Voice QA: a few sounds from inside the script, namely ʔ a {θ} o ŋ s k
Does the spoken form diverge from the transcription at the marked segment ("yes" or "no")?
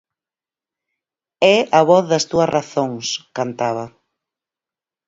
no